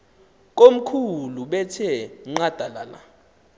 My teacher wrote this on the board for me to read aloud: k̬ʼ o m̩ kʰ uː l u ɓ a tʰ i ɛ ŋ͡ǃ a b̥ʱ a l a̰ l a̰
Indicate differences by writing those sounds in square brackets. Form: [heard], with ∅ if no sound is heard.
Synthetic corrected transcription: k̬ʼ o m̩ kʰ [u] l u ɓ [ɛ] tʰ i ɛ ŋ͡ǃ a [d̥ʱ] a l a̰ l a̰